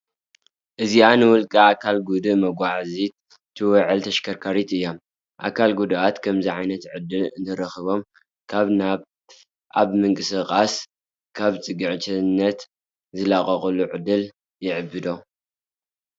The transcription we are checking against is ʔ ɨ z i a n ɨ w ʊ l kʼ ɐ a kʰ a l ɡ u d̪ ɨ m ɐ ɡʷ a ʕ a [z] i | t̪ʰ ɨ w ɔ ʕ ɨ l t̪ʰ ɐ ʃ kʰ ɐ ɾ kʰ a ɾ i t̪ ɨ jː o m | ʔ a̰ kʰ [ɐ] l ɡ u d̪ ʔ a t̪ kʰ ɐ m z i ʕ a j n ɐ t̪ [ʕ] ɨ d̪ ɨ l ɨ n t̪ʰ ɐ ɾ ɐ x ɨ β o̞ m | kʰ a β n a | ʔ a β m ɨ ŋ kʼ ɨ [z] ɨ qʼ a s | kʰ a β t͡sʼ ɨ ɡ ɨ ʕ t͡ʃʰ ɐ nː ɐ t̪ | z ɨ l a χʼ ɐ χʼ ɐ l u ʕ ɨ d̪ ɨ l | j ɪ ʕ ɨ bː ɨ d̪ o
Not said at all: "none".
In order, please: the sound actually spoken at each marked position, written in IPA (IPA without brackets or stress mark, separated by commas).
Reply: z, a, ʕ, s